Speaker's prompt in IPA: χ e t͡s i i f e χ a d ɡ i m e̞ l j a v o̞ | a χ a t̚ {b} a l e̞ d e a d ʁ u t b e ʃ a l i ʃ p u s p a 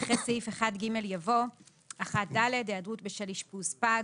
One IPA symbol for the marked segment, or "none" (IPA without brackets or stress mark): d